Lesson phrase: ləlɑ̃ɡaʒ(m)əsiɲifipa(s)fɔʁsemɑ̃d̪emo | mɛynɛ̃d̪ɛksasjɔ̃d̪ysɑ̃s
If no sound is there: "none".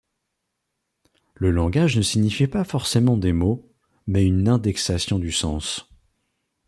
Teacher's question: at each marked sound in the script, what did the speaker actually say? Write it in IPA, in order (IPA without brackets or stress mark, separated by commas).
n, none